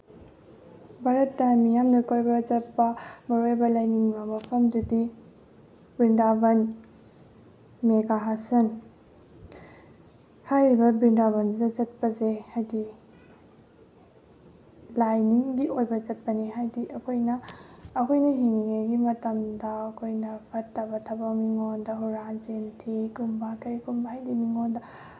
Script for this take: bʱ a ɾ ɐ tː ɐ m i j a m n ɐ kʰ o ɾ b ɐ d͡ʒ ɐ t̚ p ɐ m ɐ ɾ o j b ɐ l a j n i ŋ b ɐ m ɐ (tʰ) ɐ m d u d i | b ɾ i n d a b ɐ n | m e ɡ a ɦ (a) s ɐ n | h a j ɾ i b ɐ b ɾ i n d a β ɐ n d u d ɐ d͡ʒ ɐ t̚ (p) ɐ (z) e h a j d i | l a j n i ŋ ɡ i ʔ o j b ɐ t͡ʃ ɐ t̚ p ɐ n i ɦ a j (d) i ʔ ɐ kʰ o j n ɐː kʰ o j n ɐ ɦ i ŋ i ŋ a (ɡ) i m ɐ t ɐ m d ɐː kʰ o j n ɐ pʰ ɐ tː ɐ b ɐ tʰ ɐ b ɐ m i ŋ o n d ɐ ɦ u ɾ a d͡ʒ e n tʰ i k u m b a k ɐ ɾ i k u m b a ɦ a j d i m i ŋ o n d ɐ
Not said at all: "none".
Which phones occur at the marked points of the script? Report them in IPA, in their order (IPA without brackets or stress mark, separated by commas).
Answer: pʰ, a, p, z, d, ɡ